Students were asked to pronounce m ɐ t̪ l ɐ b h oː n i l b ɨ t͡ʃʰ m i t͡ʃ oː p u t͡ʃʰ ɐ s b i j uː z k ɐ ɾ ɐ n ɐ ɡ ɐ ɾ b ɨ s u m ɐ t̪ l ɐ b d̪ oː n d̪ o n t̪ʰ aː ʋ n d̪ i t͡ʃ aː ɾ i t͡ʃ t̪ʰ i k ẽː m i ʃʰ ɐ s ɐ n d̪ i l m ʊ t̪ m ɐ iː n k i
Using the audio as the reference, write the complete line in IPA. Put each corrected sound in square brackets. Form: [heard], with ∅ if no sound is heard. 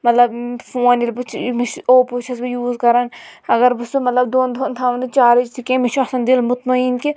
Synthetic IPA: m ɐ t̪ l ɐ b [f] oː n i l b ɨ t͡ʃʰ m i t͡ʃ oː p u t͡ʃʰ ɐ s b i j uː z k ɐ ɾ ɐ n ɐ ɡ ɐ ɾ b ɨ s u m ɐ t̪ l ɐ b d̪ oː n d̪ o n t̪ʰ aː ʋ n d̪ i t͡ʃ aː ɾ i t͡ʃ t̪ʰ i k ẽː m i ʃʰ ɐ s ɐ n d̪ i l m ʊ t̪ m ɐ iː n k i